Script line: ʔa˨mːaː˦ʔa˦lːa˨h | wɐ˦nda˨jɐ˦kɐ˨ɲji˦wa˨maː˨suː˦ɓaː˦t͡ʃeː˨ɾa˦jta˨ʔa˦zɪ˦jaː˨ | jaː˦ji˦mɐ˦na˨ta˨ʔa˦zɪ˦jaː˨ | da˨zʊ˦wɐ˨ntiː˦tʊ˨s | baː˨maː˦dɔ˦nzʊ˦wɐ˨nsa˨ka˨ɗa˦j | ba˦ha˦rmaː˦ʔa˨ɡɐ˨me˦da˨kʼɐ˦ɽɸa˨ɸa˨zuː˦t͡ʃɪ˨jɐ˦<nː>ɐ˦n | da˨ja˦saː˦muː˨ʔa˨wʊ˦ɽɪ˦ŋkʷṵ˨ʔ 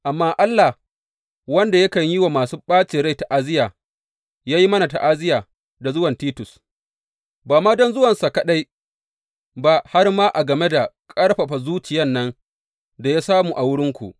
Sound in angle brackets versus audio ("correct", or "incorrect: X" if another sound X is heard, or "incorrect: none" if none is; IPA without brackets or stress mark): correct